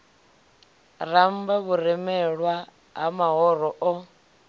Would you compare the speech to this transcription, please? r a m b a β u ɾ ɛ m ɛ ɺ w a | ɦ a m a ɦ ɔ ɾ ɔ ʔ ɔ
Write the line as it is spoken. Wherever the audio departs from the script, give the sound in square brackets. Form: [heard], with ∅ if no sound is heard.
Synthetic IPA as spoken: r a m b a β u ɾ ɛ m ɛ ɺ w a | ɦ a m a ɦ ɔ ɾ ɔ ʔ ɔ